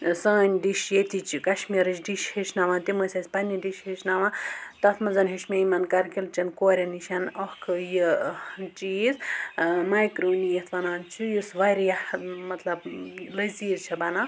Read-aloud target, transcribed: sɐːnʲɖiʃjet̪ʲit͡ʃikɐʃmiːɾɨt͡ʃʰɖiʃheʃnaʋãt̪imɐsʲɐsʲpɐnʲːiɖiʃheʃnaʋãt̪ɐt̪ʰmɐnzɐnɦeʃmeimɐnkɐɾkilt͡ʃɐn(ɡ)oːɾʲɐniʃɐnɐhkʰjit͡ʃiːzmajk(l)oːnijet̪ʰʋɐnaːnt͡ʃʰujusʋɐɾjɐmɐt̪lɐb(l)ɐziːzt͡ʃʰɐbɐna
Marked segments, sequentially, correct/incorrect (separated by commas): incorrect, incorrect, correct